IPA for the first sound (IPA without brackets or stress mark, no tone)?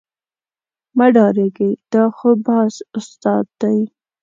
m